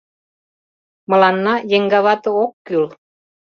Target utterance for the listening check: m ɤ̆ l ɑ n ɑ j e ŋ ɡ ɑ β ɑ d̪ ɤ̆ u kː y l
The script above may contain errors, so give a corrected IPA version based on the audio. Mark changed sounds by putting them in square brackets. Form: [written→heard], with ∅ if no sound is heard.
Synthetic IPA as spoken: m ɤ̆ l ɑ [n→nː] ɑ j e ŋ ɡ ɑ β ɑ [d̪→t̪] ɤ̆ [u→o] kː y l